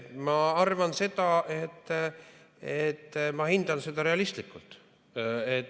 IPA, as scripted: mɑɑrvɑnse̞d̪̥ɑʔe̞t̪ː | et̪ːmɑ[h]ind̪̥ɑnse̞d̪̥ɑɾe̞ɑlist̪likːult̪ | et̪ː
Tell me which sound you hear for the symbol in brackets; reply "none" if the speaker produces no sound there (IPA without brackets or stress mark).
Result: h